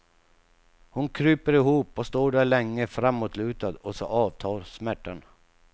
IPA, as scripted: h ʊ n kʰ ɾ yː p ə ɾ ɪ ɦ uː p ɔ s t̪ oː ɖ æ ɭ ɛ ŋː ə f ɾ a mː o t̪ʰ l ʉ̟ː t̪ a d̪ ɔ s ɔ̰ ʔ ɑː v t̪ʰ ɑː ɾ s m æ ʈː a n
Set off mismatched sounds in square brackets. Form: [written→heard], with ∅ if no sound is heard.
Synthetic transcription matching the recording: h ʊ n kʰ ɾ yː p ə ɾ ɪ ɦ uː p ɔ s t̪ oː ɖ æ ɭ ɛ ŋː ə f ɾ a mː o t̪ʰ l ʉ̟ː t̪ a d̪ ɔ s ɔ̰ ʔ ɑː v t̪ʰ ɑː ɾ s m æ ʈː a n